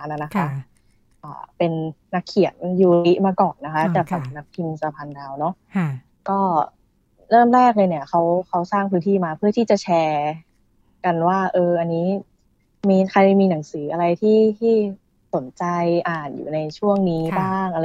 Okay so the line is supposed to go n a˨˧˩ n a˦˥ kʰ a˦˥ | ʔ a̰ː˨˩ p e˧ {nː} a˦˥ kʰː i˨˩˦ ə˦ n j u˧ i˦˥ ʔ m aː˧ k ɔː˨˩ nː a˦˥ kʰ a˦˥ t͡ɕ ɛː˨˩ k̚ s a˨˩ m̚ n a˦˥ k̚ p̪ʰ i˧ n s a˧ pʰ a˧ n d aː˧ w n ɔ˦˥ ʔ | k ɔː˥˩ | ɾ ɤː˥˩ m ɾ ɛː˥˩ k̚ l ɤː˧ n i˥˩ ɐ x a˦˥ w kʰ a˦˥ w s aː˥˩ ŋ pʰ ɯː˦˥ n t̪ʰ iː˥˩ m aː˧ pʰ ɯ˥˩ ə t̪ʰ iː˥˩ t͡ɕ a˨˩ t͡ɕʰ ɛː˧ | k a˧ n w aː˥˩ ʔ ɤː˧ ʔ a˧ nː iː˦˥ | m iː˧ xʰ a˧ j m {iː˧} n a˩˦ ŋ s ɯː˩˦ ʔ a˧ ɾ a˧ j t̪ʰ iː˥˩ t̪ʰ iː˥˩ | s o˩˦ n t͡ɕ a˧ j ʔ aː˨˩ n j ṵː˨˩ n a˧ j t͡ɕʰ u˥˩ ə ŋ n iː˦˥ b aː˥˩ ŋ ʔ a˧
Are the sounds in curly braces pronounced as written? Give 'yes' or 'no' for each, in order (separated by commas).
yes, yes